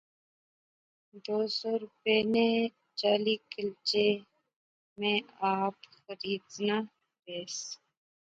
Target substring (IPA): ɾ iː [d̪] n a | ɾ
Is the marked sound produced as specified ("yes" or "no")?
yes